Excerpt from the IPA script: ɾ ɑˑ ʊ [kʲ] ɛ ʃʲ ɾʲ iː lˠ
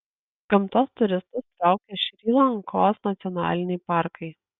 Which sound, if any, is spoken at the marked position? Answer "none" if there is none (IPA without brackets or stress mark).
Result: kʲ